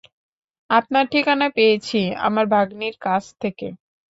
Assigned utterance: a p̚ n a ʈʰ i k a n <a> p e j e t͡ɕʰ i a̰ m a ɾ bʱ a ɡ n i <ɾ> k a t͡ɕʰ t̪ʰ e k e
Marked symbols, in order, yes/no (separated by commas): yes, yes